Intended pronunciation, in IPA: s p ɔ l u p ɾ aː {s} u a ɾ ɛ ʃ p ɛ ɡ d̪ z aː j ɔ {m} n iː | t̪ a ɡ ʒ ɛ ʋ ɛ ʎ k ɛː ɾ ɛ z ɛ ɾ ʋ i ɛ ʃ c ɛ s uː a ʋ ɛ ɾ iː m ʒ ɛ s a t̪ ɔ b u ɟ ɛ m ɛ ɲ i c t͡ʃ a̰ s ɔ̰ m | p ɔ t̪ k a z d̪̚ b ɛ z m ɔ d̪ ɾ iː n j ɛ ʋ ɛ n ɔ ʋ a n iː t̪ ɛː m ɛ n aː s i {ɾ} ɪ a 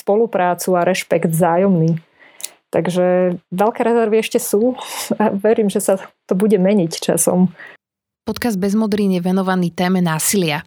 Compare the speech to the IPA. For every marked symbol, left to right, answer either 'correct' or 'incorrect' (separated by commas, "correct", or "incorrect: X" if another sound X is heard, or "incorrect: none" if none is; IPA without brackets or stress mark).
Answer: incorrect: t͡s, correct, incorrect: l